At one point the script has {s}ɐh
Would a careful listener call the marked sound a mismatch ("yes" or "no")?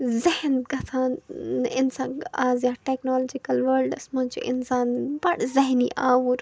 yes